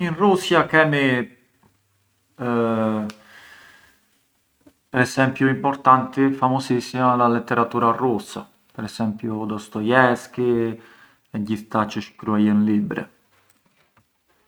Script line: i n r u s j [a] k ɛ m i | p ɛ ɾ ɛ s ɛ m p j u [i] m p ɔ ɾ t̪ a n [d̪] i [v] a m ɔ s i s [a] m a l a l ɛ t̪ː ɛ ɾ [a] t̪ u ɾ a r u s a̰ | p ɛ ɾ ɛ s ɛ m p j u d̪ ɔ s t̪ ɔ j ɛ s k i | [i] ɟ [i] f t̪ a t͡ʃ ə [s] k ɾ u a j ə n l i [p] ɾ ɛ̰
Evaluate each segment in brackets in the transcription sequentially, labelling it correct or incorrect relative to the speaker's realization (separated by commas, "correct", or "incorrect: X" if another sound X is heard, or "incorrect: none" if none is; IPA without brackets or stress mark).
correct, correct, incorrect: t̪, incorrect: f, incorrect: i, correct, incorrect: ɛ, correct, incorrect: ʃ, incorrect: b